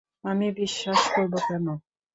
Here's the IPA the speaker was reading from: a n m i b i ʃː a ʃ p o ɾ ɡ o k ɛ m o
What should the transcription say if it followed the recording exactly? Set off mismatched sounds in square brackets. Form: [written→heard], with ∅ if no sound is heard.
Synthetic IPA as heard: a [n→∅] m i b i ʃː a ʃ [p→k] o ɾ [ɡ→b] o k ɛ [m→n] o